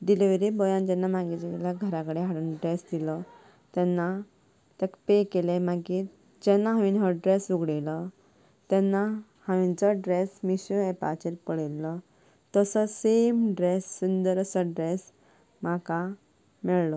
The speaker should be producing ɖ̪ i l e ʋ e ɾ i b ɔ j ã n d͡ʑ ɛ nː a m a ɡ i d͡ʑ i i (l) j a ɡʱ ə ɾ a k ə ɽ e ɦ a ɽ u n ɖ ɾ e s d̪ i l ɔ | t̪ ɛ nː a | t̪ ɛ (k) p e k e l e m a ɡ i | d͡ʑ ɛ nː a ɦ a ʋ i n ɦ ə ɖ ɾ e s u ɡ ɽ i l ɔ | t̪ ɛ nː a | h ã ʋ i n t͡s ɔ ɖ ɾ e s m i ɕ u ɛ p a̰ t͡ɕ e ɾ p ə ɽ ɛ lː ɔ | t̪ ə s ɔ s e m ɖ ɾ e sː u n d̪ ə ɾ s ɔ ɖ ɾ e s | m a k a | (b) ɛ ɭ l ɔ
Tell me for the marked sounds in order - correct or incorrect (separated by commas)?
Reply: correct, correct, incorrect